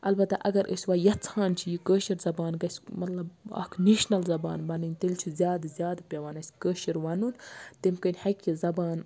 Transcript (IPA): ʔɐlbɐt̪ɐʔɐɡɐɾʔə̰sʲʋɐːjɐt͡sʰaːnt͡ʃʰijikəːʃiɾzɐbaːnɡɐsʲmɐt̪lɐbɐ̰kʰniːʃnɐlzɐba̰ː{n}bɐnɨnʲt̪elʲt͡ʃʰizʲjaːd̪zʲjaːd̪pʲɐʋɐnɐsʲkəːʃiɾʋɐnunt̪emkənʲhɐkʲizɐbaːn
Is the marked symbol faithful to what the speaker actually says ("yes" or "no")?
yes